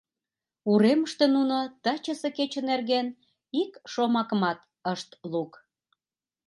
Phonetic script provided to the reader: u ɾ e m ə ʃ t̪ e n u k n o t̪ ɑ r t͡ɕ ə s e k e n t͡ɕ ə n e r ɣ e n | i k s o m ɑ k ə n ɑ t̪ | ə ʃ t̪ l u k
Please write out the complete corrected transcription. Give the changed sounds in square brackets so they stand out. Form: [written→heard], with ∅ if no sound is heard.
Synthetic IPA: u ɾ e m ə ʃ t̪ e n u [k→∅] n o t̪ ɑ [r→∅] t͡ɕ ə s e k e [n→∅] t͡ɕ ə n e r ɣ e n | i k [s→ʃ] o m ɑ k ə [n→m] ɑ t̪ | ə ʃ t̪ l u k